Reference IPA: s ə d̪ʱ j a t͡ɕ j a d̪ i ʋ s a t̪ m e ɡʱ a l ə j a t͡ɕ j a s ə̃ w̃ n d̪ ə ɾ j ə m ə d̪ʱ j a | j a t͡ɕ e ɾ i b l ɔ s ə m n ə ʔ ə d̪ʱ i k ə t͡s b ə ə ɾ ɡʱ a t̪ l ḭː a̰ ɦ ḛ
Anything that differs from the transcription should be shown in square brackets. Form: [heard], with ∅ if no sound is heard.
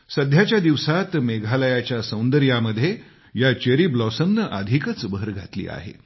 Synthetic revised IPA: s ə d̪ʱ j a t͡ɕ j a d̪ i ʋ s a t̪ m e ɡʱ a l ə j a t͡ɕ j a s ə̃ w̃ n d̪ ə ɾ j [a] m ə d̪ʱ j [e] | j a t͡ɕ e ɾ i b l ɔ s ə m n ə ʔ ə d̪ʱ i k ə t͡s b ə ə ɾ ɡʱ a t̪ l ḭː a̰ ɦ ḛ